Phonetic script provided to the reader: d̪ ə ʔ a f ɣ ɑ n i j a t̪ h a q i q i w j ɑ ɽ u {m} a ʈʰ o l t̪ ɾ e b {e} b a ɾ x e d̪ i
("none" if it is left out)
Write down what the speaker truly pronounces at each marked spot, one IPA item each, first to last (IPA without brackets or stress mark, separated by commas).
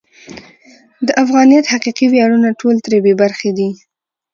n, e